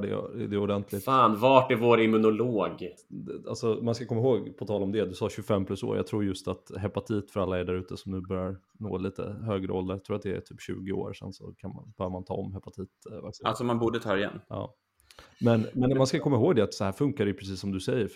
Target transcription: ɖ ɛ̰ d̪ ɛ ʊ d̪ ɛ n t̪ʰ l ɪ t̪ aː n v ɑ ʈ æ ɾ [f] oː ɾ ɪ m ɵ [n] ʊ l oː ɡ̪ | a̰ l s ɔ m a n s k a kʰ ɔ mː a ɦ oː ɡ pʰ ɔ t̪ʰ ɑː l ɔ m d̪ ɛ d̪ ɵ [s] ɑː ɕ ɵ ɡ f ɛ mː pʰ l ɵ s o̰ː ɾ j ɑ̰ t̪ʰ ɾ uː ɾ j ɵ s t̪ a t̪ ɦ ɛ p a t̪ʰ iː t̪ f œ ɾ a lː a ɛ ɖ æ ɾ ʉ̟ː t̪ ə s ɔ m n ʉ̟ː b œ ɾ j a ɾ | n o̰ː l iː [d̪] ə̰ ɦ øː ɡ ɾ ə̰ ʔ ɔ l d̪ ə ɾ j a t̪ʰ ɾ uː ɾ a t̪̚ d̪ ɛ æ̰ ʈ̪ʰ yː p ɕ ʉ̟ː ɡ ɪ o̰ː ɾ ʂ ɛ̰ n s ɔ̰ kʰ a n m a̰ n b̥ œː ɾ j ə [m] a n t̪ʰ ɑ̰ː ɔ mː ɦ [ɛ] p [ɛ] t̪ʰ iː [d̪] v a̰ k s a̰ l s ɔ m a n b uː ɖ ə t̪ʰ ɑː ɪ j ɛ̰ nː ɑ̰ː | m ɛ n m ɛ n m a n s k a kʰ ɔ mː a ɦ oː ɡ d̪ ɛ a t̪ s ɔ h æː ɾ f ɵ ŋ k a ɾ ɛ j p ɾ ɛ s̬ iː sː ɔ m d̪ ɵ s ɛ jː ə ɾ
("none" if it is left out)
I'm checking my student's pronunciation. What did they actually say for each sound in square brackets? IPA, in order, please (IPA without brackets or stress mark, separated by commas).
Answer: v, n, s, t̪, m, ɛ, a, t̪